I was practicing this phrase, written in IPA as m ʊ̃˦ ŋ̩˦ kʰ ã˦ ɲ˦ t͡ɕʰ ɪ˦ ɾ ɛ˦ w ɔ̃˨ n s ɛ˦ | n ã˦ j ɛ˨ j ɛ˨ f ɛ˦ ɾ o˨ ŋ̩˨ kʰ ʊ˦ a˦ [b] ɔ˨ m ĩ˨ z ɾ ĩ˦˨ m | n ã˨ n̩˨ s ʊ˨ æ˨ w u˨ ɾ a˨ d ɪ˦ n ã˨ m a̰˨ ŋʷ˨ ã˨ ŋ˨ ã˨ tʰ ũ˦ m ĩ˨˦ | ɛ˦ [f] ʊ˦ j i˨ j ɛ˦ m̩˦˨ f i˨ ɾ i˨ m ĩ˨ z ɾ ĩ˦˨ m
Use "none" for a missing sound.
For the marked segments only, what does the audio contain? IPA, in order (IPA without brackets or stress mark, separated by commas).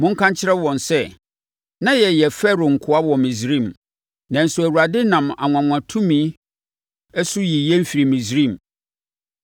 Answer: w, s